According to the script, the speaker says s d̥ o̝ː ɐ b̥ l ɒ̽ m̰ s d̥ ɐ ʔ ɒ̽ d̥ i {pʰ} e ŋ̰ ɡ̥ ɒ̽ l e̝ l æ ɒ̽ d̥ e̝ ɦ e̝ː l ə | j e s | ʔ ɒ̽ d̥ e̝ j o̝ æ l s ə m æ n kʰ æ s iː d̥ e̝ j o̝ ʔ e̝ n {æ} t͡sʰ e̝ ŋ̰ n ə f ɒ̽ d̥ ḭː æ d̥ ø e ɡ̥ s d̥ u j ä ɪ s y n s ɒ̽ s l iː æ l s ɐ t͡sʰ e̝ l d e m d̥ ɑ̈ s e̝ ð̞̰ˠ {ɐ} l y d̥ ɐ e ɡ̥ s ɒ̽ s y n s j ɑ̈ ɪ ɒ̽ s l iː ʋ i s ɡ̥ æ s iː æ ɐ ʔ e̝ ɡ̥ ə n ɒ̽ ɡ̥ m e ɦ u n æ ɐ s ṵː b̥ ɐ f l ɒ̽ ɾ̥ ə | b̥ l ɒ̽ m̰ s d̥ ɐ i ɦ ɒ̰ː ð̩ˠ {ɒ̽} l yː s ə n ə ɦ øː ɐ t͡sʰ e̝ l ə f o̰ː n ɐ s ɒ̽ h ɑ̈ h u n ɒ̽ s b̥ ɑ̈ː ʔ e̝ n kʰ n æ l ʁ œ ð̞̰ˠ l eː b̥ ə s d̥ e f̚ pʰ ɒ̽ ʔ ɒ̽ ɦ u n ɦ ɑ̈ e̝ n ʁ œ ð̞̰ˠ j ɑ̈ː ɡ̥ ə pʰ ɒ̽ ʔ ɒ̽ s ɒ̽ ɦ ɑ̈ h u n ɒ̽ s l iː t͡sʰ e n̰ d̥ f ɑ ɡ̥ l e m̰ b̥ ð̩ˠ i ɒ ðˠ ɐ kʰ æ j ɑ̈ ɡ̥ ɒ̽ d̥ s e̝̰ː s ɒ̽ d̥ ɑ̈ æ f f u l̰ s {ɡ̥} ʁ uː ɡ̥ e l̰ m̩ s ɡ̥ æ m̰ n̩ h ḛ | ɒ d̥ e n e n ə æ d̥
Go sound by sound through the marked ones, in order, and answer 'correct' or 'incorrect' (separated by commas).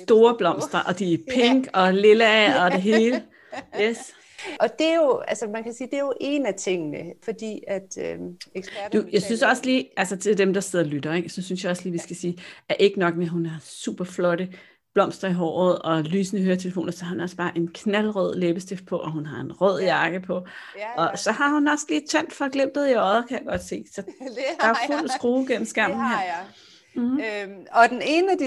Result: correct, correct, correct, correct, correct